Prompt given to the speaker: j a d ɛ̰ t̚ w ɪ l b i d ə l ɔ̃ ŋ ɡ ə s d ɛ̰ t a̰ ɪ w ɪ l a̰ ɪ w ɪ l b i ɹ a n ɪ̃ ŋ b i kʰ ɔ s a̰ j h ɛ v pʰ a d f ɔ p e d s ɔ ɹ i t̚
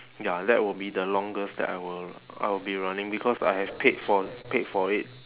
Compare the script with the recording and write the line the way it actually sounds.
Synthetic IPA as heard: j a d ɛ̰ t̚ w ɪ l b i d ə l ɔ̃ ŋ ɡ ə s d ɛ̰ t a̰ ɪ w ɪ l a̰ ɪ w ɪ l b i ɹ a n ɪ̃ ŋ b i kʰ ɔ s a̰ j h ɛ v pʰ e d f ɔ p e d f ɔ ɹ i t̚